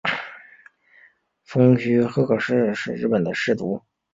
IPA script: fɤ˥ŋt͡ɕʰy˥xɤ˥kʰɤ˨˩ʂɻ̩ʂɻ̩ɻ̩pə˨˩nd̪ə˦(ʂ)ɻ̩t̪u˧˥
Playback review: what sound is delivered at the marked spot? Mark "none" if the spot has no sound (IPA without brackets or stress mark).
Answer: ʂ